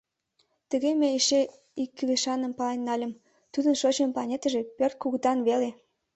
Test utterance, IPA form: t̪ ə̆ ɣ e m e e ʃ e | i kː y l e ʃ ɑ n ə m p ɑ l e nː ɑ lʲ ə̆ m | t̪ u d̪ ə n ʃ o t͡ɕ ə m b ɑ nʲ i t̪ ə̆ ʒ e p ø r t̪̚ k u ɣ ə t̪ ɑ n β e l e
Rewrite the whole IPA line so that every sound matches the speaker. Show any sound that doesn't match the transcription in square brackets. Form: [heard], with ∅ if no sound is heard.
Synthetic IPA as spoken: t̪ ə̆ ɣ e m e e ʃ e | i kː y l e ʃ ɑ n ə m p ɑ l e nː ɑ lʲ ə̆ m | t̪ u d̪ ə n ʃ o t͡ɕ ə m [p] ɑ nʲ [e] t̪ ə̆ ʒ e p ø r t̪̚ k u ɣ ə t̪ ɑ n β e l e